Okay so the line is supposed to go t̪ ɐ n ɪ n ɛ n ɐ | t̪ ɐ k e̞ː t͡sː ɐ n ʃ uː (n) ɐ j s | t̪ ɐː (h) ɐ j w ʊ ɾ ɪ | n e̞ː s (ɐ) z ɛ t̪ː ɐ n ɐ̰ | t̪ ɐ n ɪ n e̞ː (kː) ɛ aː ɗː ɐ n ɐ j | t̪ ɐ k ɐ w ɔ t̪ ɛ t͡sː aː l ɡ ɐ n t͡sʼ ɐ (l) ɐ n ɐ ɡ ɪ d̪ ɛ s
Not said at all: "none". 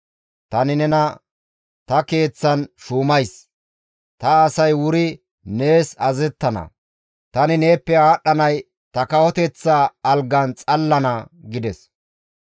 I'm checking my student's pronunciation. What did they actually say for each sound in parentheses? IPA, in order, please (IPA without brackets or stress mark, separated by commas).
m, s, ɐ, pː, lː